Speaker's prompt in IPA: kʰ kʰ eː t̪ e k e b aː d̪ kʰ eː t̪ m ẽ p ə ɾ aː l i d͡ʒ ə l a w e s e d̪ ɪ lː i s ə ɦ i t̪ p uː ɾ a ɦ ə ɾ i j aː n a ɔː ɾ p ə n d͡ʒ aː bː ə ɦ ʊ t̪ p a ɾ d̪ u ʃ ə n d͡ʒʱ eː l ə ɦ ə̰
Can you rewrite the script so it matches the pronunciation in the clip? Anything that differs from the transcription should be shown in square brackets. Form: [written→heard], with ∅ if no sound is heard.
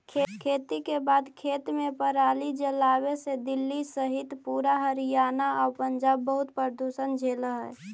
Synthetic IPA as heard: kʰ kʰ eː t̪ [e→i] k e b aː d̪ kʰ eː t̪ m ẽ p ə ɾ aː l i d͡ʒ ə l a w e s e d̪ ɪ lː i s ə ɦ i t̪ p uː ɾ a ɦ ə ɾ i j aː n a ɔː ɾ p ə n d͡ʒ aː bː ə ɦ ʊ t̪ p [a→ə] ɾ d̪ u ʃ ə n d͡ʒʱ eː l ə ɦ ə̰